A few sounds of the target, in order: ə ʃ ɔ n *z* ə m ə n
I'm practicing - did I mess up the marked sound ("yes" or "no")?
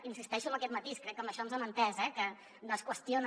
no